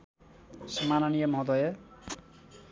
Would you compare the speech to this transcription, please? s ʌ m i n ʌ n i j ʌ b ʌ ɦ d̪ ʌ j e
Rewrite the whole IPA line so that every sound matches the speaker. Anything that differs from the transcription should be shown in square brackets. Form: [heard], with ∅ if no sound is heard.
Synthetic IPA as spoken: s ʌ m [a] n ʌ n i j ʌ [m] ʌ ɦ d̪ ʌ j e